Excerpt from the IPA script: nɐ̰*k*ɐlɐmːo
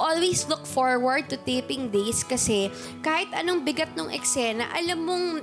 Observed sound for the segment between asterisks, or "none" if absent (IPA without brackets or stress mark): ʔ